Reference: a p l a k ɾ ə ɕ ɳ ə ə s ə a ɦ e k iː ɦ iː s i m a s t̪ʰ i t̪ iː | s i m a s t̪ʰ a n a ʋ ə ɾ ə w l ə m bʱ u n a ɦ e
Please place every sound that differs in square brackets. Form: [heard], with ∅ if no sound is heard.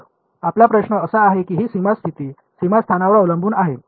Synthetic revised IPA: a p l a [p] ɾ ə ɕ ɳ ə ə s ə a ɦ e k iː ɦ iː s i m a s t̪ʰ i t̪ iː | s i m a s t̪ʰ a n a ʋ ə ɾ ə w l ə m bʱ [uː] n a ɦ e